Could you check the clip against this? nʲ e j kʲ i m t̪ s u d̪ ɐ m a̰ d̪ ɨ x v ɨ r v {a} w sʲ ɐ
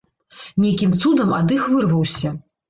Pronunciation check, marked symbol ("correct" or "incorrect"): incorrect